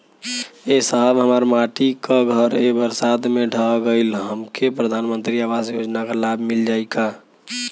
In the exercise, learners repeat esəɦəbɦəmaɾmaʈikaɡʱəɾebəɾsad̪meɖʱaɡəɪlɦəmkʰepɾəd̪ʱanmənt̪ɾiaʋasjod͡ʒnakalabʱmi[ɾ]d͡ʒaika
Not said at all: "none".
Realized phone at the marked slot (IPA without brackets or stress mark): l